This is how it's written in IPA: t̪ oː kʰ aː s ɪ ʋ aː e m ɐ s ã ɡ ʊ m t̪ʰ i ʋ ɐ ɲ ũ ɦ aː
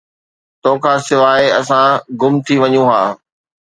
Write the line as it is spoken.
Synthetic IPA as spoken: t̪ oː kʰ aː s ɪ ʋ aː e ɐ s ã ɡ ʊ m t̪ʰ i ʋ ɐ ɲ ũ ɦ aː